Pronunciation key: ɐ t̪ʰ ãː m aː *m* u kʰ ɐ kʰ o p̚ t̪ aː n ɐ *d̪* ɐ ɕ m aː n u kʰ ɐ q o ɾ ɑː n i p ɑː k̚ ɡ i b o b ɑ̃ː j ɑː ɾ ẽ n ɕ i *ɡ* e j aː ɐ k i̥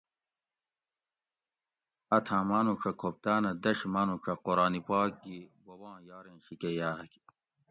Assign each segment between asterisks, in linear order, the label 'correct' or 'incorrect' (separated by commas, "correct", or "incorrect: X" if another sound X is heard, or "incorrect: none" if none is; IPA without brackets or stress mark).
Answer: incorrect: n, correct, incorrect: k